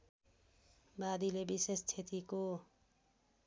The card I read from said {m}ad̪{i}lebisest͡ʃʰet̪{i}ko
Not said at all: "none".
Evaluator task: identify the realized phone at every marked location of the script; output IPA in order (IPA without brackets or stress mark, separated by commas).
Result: b, i, i